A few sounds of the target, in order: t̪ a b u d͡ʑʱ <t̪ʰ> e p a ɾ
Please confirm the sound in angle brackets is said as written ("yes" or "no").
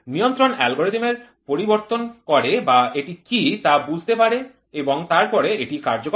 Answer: no